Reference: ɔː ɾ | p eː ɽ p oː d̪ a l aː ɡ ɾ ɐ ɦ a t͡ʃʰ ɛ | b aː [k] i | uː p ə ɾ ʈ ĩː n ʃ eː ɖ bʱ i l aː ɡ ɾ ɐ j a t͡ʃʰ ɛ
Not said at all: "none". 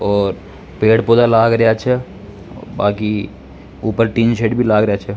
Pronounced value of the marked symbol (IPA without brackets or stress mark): k